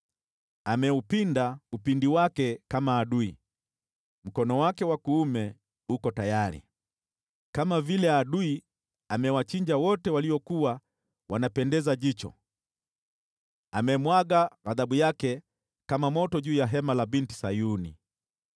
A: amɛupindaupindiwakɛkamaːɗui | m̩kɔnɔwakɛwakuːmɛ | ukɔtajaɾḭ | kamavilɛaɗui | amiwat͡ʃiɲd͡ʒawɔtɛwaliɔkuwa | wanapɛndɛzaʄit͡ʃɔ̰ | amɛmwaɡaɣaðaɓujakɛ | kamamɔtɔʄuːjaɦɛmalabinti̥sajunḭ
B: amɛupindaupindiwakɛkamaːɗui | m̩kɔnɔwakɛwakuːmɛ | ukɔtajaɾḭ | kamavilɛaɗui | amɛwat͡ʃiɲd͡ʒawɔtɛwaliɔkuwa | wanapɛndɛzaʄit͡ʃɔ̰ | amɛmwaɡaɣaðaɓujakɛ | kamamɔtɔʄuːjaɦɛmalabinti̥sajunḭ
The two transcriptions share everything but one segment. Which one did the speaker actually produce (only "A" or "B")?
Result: B